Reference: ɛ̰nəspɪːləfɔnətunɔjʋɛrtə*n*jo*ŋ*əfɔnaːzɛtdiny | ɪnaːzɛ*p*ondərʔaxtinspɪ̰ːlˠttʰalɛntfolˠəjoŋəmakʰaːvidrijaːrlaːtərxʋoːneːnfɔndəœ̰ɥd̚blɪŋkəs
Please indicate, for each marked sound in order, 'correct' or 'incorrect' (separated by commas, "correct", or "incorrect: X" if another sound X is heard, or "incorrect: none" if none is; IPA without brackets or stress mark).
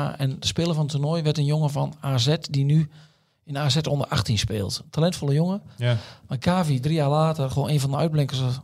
correct, correct, incorrect: t